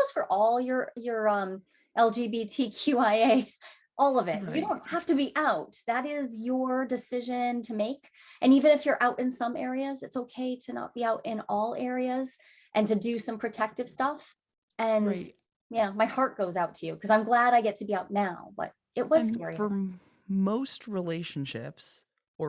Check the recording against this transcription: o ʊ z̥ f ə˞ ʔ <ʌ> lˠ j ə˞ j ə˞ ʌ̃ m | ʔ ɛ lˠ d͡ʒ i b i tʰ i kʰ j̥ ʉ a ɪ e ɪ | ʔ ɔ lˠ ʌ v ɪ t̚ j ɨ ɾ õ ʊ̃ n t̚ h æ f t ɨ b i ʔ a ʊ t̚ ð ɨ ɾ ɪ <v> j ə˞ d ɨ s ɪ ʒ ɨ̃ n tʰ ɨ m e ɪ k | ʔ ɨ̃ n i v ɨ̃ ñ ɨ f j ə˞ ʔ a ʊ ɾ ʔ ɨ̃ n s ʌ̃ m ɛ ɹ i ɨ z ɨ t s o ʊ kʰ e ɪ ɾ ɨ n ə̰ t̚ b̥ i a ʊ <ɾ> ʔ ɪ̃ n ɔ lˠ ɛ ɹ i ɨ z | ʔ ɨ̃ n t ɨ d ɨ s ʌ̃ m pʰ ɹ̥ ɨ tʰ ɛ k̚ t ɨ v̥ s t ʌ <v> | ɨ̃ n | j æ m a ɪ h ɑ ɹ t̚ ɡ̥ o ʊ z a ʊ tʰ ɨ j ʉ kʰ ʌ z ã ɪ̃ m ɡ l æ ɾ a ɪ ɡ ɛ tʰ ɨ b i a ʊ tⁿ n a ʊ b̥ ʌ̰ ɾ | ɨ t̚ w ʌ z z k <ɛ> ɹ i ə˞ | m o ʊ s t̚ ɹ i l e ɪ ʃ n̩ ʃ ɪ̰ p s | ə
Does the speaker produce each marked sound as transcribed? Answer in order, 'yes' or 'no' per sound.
no, no, yes, no, yes

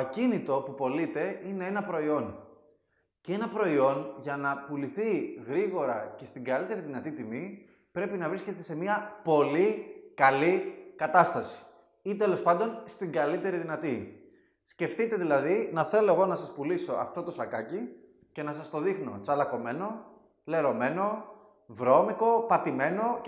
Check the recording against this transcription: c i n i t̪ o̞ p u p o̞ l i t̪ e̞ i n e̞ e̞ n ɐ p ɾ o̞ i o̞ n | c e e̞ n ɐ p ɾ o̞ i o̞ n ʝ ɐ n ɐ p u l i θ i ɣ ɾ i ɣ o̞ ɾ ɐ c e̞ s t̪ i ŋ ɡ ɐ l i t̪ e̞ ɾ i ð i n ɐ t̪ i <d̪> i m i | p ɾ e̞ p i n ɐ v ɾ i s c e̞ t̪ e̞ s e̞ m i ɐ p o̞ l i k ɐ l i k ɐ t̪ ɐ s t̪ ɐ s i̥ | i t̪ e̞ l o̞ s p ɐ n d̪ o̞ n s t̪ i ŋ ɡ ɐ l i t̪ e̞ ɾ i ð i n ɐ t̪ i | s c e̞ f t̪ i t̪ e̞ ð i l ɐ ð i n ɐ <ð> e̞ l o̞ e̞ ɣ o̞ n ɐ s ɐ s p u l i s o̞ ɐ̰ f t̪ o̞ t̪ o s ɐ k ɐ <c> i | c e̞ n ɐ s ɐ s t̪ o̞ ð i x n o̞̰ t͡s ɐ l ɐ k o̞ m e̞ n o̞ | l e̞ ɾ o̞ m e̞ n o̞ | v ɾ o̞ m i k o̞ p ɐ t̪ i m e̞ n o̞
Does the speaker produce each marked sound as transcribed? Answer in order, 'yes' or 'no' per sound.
no, no, yes

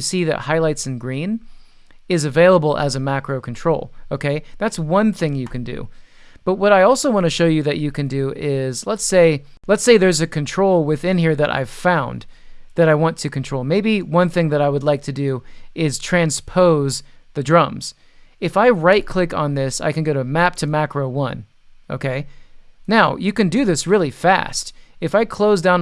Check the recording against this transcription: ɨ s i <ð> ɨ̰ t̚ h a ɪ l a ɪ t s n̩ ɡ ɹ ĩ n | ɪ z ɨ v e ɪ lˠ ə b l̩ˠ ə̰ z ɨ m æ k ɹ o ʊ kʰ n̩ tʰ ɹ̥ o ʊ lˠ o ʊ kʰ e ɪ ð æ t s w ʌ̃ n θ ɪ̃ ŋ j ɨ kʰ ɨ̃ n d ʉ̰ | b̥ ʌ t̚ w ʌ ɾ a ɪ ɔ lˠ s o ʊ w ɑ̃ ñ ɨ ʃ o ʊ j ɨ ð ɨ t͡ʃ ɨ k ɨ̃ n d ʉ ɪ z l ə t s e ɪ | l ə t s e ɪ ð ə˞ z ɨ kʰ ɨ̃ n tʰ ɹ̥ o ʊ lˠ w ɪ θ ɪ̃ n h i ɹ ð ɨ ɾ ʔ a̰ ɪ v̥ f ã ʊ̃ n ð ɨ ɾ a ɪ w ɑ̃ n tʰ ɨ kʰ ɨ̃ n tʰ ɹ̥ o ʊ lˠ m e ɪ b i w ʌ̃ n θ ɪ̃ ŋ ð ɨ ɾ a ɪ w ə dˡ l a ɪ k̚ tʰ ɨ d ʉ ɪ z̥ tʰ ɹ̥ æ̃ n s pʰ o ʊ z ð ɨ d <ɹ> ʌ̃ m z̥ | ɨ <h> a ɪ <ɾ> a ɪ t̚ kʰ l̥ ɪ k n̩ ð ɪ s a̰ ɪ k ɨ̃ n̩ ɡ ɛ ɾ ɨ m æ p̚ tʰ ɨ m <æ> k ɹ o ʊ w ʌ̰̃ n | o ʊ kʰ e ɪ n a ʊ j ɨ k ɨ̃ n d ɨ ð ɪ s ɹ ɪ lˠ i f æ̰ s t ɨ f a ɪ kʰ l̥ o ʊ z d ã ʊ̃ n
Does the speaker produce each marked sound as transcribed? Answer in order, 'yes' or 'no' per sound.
yes, yes, no, no, yes

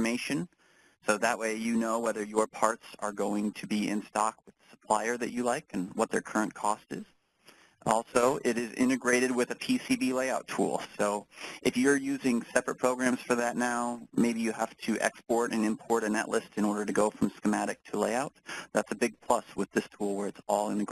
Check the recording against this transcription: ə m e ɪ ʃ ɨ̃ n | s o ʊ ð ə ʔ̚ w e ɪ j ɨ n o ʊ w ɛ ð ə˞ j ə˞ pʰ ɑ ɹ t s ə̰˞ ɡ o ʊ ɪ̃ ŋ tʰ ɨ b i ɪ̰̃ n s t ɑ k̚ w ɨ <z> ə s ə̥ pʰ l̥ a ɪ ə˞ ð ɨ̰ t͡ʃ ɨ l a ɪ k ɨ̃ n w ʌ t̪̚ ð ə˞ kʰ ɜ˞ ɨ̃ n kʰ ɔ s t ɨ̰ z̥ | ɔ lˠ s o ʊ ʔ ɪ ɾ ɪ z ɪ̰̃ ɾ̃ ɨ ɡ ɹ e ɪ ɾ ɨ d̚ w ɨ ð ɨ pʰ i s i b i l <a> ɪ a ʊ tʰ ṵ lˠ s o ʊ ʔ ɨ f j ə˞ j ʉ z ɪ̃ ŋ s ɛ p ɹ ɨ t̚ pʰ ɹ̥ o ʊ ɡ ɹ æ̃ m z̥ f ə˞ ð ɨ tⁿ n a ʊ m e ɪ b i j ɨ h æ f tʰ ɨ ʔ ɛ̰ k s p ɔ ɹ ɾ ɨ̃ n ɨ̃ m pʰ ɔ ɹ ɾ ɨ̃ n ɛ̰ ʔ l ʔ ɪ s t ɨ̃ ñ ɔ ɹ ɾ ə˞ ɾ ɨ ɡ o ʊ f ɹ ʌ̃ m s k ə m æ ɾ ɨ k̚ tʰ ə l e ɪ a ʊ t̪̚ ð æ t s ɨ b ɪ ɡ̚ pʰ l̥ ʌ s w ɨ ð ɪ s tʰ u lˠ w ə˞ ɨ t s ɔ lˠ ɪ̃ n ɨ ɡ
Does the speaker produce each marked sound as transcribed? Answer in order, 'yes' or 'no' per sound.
no, no

